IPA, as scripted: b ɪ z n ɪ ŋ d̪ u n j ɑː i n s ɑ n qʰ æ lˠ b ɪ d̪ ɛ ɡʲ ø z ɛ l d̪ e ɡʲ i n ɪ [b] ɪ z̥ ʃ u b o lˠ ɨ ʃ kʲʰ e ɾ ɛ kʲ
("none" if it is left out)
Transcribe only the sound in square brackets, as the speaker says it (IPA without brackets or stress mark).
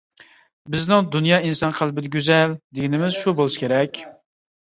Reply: m